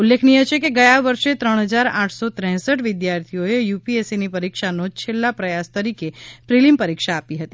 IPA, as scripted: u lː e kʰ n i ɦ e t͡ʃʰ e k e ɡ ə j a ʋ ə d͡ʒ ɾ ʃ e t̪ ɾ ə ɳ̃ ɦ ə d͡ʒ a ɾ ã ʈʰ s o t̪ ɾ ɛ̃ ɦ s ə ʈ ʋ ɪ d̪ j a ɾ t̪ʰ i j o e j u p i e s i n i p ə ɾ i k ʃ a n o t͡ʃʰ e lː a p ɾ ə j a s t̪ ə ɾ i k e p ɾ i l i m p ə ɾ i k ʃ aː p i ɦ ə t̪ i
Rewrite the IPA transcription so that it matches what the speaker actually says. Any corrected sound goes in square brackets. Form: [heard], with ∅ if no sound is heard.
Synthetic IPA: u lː e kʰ n i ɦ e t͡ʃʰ e k e ɡ ə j a ʋ ə [∅] ɾ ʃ e t̪ ɾ ə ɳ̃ ɦ ə d͡ʒ a ɾ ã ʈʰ s o t̪ ɾ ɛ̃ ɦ s ə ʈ ʋ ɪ d̪ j a ɾ t̪ʰ i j o e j u p i e s i n i p ə ɾ i k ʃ a n o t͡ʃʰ e lː a p ɾ ə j a s t̪ ə ɾ i k e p ɾ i l i m p ə ɾ i k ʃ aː p i ɦ ə t̪ i